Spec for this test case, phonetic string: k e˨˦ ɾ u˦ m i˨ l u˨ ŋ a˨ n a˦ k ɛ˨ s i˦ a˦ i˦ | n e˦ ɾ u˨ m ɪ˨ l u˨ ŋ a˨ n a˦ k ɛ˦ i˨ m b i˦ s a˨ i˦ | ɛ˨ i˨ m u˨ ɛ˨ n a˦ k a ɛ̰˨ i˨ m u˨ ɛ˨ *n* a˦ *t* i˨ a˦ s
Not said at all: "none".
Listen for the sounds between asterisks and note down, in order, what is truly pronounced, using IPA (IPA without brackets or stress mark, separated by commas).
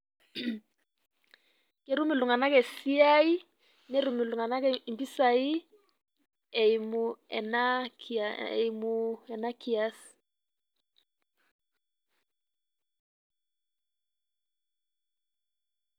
n, k